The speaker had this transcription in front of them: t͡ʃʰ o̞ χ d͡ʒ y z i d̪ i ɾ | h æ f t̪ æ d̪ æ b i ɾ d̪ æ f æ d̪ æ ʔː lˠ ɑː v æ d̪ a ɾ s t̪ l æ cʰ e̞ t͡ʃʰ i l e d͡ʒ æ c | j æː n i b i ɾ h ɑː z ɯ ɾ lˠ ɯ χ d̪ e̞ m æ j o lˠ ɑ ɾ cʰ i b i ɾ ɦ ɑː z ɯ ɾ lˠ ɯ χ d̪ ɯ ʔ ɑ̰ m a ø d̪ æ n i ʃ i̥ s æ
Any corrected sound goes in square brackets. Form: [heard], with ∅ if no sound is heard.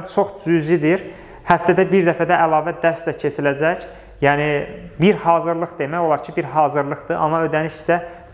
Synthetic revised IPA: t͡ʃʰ o̞ χ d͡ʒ y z i d̪ i ɾ | h æ f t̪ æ d̪ æ b i ɾ d̪ æ f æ d̪ æ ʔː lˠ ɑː v æ d̪ [æ] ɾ s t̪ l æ cʰ e̞ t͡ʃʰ i l [æ] d͡ʒ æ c | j æː n i b i ɾ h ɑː z ɯ ɾ lˠ ɯ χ d̪ e̞ m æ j o lˠ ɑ ɾ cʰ i b i ɾ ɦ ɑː z ɯ ɾ lˠ ɯ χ d̪ ɯ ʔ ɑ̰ m [ɑ] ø d̪ æ n i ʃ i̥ s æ